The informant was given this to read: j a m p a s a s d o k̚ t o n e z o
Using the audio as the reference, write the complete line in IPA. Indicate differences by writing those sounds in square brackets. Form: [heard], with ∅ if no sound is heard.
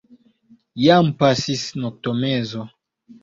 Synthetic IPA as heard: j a m p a s [i] s [n] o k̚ t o [m] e z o